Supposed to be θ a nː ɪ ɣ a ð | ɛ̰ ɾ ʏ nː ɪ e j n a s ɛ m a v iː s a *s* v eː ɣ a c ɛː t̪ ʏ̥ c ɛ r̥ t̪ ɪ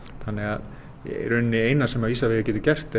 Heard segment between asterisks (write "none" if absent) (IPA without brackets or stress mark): none